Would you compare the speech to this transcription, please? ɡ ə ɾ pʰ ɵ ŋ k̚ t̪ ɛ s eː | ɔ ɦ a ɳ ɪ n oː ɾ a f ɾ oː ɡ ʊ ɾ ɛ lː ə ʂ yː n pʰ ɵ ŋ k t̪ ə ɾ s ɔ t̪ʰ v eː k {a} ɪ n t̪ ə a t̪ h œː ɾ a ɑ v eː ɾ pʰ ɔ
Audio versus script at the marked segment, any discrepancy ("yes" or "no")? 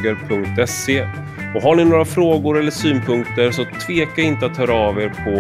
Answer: no